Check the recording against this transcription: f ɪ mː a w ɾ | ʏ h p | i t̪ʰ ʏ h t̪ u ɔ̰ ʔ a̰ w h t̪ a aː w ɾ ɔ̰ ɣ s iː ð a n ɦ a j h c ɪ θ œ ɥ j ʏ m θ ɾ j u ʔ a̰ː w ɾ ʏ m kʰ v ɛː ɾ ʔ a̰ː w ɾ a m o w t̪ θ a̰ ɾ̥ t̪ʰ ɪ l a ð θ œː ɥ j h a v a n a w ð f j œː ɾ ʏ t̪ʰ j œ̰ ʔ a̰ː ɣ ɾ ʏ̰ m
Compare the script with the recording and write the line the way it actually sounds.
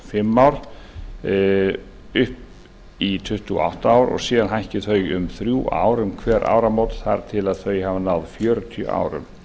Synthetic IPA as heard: f ɪ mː a w ɾ | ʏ h p | i t̪ʰ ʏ h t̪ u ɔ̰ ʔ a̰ w h t̪ a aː w ɾ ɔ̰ ɣ s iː ð a n ɦ a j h c ɪ θ œ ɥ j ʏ m θ ɾ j u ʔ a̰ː w ɾ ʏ m kʰ v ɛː ɾ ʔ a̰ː w ɾ a m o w t̪ θ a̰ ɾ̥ t̪ʰ ɪ l a ð θ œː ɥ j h a v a n a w ð f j œː ɾ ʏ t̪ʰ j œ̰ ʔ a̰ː w ɾ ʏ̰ m

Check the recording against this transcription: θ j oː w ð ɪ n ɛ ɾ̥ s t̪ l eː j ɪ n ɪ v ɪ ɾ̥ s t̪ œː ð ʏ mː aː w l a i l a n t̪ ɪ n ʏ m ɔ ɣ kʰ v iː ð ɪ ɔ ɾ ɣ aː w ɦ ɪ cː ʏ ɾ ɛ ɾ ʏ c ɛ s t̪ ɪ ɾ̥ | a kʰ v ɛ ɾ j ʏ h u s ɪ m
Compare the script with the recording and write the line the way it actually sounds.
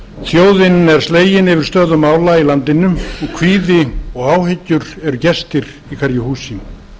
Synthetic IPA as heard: θ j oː w ð ɪ n ɛ ɾ̥ s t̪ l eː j ɪ n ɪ v ɪ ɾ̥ s t̪ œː ð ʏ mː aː w l a i l a n t̪ ɪ n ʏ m ɔ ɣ kʰ v iː ð ɪ ɔ ɣ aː w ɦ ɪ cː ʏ ɾ ɛ ɾ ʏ c ɛ s t̪ ɪ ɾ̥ | i kʰ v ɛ ɾ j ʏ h uː s ɪ m

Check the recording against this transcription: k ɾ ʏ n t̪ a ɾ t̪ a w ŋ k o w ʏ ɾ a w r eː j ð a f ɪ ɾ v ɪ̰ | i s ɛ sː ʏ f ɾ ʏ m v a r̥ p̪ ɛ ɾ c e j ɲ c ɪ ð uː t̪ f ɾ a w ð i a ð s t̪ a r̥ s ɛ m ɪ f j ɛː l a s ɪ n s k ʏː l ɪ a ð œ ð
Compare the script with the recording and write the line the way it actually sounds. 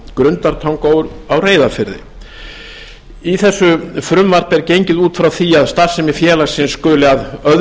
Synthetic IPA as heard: k ɾ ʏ n t̪ a ɾ t̪ʰ a w ŋ k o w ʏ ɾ a w r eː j ð a f ɪ ɾ ð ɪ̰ | i θ ɛ sː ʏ f ɾ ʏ m v a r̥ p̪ ɛ ɾ c e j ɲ c ɪ ð uː t̪ f ɾ a w θ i a ð s t̪ a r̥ s ɛ m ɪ f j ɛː l a s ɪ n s k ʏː l ɪ a ð œ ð

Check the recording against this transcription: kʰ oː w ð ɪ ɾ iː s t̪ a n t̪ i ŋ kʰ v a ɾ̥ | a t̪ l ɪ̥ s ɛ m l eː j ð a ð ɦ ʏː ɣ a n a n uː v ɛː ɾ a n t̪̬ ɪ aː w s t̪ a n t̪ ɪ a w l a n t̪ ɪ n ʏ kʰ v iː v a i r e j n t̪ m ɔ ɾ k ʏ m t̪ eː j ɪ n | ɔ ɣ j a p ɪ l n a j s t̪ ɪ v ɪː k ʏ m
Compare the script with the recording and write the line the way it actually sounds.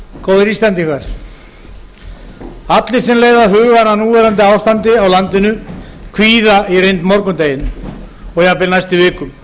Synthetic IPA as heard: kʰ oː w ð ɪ ɾ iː s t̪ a n t̪ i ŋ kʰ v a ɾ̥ | a t̪ l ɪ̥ s ɛ m l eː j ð a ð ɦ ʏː ɣ a n a n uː v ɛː ɾ a n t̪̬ ɪ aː w s t̪ a n t̪ ɪ a w l a n t̪ ɪ n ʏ kʰ v iː ð a i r e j n t̪ m ɔ ɾ k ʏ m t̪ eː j ɪ n | ɔ ɣ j a p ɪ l n a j s t̪ ɪ v ɪː k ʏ m

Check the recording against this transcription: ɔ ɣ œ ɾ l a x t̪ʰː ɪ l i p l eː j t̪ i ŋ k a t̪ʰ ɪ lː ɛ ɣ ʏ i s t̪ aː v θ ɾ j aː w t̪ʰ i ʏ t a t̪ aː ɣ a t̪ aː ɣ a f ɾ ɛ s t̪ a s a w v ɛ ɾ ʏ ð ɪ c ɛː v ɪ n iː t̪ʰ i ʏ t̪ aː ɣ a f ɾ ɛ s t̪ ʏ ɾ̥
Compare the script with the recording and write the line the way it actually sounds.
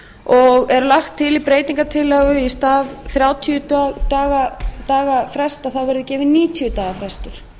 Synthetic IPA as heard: ɔ ɣ ɛ ɾ l a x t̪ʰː ɪ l i p ɾ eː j t̪ i ŋ k a t̪ʰ ɪ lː ɛ ɣ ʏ i s t̪ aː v θ ɾ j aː w t̪ʰ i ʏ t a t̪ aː ɣ a t̪ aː ɣ a f ɾ ɛ s t̪ a θ a w v ɛ ɾ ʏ ð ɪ c ɛː v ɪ n iː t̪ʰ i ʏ t̪ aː ɣ a f ɾ ɛ s t̪ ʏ ɾ̥

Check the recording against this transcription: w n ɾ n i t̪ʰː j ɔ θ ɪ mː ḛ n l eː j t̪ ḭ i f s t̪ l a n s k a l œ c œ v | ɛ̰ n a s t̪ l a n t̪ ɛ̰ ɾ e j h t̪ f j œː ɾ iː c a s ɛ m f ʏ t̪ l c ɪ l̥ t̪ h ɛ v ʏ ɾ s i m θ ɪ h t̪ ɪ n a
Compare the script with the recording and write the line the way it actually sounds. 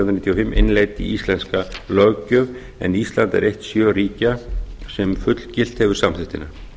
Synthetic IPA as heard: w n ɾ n i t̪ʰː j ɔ f ɪ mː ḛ n l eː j t̪ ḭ i s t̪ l ɛ n s k a l œ c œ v | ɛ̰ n i s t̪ l a n t̪ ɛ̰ ɾ e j h t̪ s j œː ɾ iː c a s ɛ m f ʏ t̪ l c ɪ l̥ t̪ h ɛ v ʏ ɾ s a m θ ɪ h t̪ ɪ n a

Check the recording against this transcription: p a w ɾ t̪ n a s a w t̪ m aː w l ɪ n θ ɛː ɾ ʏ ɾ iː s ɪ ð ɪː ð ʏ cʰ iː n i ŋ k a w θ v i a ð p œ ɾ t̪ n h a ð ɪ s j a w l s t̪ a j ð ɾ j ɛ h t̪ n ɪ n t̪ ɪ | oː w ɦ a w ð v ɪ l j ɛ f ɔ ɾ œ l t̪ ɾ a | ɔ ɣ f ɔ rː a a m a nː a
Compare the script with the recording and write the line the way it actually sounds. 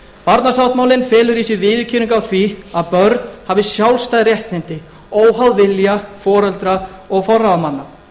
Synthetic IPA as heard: p a ɾ t̪ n a s a w t̪ m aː w l ɪ n f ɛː l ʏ ɾ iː s ɪ v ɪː ð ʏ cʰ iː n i ŋ k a w θ v i a ð p œ ɾ t̪ n h a v ɪ s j a w l s t̪ a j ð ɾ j ɛ h t̪ n ɪ n t̪ ɪ | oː w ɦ a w ð v ɪ l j a f ɔː ɾ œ l t̪ ɾ a | ɔ ɣ f ɔ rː a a m a nː a

